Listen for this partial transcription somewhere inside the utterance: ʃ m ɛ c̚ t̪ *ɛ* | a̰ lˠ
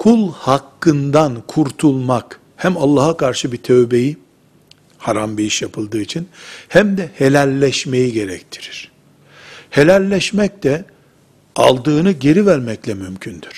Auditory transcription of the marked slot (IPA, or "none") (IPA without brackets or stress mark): ɛ